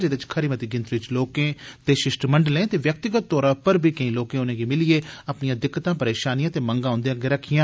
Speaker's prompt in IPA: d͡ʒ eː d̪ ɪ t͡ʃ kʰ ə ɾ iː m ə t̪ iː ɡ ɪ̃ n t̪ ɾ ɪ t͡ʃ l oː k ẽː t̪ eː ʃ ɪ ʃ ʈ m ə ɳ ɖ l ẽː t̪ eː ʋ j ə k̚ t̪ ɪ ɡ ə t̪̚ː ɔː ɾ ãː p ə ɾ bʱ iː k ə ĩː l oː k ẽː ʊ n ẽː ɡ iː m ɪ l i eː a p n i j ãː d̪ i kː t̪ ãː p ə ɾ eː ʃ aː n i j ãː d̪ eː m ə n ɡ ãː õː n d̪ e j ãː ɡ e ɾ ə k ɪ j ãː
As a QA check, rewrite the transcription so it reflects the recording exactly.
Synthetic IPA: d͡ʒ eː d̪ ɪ t͡ʃ kʰ ə ɾ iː m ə t̪ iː ɡ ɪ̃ n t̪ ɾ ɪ t͡ʃ l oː k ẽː t̪ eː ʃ ɪ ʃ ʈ m ə ɳ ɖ l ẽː t̪ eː ʋ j ə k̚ t̪ ɪ ɡ ə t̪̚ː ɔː ɾ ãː p ə ɾ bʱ iː k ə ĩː l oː k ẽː ʊ n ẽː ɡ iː m ɪ l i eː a p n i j ãː d̪ ɪ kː t̪ ãː p ə ɾ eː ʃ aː n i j ãː t̪ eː m ə ŋ ɡ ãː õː n d̪ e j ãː ɡ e ɾ ə kʰ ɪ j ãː